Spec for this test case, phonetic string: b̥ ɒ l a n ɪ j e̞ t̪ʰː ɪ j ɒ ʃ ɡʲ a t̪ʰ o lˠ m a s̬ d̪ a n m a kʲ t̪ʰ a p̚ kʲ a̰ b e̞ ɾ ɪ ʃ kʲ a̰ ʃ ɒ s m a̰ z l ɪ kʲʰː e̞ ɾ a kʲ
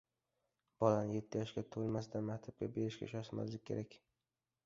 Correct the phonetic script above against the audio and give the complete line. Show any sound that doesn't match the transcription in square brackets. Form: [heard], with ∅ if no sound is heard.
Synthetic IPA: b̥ ɒ l a n ɪ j e̞ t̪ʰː ɪ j ɒ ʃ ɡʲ a t̪ʰ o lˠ m a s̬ d̪ a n m a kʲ t̪ʰ a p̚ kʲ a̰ b e̞ ɾ ɪ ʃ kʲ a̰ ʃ ɒ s m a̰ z l ɪ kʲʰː e̞ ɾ a kʲ